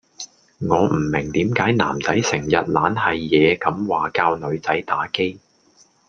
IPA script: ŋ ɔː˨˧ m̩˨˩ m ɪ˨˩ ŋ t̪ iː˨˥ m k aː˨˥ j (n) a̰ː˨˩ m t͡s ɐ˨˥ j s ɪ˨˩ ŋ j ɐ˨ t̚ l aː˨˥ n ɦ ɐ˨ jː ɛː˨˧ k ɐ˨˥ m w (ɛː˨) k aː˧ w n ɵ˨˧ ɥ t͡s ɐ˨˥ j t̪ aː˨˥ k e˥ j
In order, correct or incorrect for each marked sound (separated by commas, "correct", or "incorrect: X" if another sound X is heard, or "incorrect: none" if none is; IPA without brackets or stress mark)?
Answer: correct, incorrect: aː˨